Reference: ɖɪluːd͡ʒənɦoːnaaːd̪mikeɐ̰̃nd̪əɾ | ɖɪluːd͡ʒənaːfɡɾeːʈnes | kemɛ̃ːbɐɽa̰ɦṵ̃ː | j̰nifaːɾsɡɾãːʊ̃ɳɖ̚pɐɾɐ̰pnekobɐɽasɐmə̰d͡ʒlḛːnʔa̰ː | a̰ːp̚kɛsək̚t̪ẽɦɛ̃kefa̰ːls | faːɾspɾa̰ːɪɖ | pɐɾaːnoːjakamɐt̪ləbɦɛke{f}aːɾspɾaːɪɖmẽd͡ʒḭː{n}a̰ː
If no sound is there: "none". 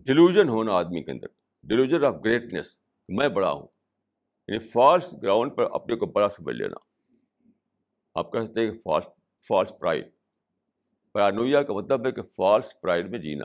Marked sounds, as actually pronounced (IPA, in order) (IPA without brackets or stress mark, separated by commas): f, n